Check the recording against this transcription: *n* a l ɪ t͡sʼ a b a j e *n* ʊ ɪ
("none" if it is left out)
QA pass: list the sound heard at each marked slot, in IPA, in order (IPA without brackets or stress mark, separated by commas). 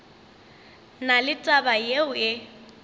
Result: n, none